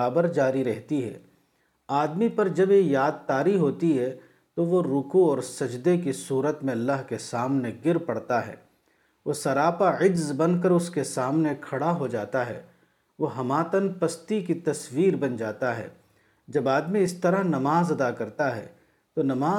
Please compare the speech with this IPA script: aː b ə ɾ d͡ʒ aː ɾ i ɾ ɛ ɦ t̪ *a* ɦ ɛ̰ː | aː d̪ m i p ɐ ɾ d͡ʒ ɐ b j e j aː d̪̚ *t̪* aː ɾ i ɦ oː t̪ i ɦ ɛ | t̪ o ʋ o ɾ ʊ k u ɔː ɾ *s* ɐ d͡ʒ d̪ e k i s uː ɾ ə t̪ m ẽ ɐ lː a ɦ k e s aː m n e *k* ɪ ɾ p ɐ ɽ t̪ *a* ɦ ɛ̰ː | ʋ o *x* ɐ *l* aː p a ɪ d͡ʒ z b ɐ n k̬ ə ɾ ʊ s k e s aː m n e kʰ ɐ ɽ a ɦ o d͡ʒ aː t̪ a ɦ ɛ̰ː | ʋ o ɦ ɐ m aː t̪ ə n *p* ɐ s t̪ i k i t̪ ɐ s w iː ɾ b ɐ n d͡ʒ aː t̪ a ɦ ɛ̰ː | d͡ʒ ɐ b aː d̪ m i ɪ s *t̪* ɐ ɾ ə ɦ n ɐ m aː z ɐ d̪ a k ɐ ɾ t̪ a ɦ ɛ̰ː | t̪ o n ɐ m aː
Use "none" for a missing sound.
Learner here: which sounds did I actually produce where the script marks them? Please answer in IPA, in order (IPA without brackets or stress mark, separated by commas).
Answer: i, t̪, s, ɡ, a, s, ɾ, p, t̪